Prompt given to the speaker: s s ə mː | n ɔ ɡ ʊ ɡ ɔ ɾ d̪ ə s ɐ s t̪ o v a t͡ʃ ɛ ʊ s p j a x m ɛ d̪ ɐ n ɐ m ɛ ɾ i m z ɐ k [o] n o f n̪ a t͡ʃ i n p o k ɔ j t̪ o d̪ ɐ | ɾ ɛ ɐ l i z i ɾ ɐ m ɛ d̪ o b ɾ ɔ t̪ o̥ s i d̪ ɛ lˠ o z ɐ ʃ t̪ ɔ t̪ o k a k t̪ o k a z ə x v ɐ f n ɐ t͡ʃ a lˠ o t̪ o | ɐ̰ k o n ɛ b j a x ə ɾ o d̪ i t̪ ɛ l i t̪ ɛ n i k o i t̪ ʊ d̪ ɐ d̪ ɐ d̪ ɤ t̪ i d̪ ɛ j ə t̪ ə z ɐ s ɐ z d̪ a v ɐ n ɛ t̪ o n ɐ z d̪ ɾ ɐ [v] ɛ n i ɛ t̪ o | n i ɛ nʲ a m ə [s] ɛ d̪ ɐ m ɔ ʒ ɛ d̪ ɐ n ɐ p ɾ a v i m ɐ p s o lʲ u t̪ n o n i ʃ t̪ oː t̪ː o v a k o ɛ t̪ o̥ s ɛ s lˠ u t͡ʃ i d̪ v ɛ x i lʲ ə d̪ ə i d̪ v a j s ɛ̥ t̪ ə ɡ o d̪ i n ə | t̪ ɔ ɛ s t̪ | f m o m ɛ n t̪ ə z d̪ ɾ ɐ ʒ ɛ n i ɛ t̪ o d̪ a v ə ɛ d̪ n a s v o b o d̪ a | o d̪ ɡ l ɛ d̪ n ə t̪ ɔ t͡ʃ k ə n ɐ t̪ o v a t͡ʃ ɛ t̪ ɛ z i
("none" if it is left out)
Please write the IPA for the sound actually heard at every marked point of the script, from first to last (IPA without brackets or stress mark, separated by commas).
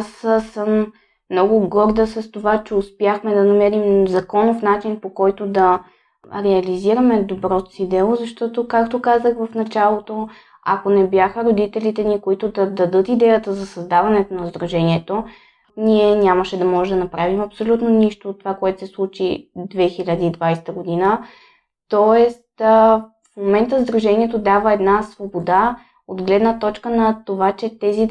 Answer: ɔ, ʒ, ʃ